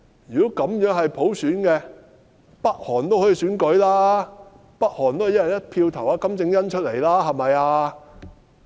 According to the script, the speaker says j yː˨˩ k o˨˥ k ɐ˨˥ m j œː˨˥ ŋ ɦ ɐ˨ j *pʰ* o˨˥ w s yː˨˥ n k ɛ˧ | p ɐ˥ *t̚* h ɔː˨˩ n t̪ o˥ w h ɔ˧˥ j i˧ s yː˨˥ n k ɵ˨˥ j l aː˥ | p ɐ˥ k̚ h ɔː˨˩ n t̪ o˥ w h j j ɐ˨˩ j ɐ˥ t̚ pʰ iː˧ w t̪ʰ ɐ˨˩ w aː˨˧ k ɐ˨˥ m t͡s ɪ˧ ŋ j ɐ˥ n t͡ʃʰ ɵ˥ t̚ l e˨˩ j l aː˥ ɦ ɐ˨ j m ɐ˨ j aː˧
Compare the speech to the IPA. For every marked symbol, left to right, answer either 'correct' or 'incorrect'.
correct, incorrect: k̚

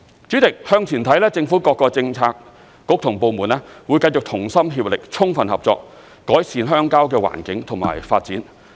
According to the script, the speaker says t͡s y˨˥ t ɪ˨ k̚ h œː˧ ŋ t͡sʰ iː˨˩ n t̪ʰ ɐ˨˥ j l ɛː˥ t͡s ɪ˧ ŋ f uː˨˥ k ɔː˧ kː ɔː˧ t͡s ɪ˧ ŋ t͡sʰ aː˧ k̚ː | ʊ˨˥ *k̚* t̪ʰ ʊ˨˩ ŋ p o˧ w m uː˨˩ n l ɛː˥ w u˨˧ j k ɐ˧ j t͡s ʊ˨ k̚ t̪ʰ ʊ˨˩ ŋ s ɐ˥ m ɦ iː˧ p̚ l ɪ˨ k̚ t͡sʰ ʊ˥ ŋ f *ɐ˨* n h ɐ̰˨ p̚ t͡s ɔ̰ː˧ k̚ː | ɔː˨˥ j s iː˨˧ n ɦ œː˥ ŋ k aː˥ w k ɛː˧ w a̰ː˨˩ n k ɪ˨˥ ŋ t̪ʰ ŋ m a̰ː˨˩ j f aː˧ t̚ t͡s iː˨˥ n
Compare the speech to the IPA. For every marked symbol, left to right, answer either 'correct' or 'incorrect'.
correct, correct

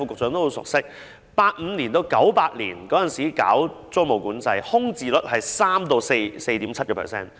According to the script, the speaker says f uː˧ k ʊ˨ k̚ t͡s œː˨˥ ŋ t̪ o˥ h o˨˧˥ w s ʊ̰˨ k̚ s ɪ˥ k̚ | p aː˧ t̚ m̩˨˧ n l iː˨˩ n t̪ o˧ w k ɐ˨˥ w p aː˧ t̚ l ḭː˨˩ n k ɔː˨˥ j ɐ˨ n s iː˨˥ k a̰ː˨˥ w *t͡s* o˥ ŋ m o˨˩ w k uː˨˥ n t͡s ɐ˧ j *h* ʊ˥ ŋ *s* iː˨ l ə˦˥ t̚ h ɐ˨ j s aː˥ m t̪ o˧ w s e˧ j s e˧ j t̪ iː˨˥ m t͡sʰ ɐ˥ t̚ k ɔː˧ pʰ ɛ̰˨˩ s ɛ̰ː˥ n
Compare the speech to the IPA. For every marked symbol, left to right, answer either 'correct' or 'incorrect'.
correct, correct, incorrect: t͡s

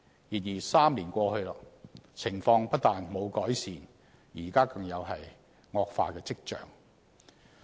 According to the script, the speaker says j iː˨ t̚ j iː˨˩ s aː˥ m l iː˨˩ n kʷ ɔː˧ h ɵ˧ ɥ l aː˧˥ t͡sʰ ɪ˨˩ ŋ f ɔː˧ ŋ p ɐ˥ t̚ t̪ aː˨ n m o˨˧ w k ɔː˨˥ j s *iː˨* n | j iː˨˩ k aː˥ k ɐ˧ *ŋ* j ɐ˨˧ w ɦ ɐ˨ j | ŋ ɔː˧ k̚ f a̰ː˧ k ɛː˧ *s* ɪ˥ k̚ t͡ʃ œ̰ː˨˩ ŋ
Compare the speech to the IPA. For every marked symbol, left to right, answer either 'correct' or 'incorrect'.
correct, correct, incorrect: t͡s

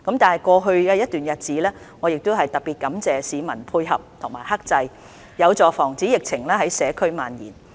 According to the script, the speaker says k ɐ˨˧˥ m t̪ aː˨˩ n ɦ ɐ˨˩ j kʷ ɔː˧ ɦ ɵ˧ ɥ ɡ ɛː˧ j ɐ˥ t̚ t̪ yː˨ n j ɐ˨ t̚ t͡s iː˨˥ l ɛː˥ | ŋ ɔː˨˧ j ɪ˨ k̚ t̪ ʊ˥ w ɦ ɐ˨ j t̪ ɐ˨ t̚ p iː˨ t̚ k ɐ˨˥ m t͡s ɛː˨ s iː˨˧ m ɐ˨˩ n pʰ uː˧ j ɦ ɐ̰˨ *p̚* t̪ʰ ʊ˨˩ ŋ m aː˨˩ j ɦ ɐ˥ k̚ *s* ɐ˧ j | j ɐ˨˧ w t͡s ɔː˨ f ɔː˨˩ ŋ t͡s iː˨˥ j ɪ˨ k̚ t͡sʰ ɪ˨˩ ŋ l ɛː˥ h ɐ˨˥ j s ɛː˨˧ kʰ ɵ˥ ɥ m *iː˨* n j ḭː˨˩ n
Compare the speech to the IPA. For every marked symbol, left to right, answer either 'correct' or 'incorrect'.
correct, incorrect: t͡s, incorrect: aː˨

